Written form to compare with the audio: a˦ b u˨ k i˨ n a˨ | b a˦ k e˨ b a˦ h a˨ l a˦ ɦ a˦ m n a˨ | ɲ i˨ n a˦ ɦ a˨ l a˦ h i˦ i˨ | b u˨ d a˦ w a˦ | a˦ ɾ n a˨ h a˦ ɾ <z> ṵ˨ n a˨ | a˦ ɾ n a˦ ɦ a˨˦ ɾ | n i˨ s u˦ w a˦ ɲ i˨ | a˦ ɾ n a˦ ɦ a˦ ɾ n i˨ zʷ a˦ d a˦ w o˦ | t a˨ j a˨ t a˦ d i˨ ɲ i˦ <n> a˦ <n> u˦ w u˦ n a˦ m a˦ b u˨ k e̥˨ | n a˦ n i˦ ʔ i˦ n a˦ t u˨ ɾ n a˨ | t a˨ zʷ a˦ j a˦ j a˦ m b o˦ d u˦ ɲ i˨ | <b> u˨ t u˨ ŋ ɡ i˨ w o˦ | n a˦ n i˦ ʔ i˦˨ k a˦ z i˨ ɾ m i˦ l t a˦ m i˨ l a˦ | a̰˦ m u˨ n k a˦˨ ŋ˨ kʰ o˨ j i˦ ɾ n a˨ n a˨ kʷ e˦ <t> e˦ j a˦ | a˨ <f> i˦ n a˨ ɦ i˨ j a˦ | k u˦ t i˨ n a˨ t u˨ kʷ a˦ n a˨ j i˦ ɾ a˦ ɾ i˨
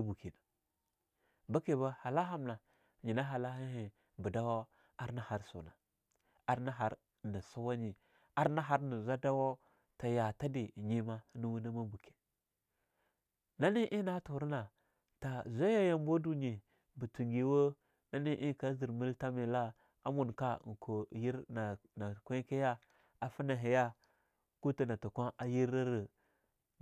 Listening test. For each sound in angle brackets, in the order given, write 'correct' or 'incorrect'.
incorrect: s, incorrect: m, correct, correct, incorrect: k, correct

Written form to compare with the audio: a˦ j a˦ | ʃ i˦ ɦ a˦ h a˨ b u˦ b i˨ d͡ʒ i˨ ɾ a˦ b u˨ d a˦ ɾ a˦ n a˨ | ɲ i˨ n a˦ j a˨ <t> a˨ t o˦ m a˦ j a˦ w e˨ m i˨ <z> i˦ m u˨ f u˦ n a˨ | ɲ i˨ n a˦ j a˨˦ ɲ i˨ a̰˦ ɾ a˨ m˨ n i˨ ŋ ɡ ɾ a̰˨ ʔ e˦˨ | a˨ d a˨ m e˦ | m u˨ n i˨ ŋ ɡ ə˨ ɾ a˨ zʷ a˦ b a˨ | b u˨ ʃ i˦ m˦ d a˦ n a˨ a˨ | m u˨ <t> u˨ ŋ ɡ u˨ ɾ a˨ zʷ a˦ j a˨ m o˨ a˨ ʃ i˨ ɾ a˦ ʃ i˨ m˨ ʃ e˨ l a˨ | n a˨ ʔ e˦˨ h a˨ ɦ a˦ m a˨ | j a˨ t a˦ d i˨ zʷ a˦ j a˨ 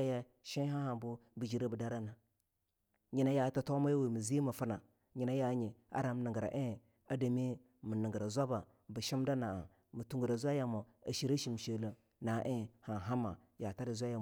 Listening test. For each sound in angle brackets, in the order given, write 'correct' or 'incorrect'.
correct, correct, correct

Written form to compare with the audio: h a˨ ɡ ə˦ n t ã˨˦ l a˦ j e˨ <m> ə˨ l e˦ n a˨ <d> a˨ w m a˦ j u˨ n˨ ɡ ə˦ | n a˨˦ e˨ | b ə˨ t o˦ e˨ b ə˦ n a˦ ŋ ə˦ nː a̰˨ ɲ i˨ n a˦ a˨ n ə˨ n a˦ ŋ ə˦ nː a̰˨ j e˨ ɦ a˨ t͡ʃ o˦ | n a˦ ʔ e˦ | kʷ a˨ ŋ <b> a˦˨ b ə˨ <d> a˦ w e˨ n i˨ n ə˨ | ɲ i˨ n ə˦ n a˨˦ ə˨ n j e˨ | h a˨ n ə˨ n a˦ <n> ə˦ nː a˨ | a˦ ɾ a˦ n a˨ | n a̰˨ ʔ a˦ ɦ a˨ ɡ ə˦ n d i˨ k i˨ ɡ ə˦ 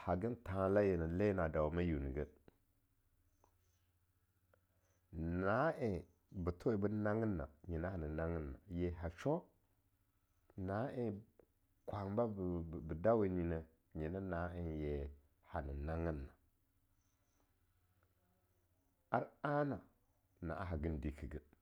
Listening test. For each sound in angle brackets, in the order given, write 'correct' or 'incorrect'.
incorrect: n, correct, correct, correct, incorrect: ŋ

